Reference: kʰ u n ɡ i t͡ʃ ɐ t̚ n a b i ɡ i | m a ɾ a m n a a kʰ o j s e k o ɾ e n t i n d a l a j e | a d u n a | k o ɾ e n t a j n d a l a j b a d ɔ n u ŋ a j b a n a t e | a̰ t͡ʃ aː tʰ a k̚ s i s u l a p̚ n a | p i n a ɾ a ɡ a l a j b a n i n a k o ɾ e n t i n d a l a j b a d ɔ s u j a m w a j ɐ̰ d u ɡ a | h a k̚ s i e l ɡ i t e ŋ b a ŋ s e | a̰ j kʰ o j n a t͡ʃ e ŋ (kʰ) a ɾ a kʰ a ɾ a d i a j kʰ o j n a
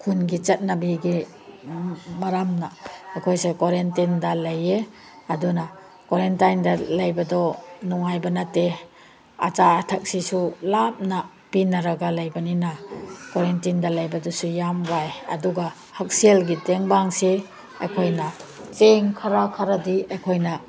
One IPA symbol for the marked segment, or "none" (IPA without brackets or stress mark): kʰ